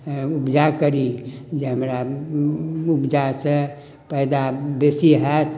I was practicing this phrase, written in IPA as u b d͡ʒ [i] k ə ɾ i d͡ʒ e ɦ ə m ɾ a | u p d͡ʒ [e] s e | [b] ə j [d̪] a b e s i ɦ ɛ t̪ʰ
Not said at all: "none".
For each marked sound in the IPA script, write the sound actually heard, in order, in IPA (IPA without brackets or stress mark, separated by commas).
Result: a, a, p, d̪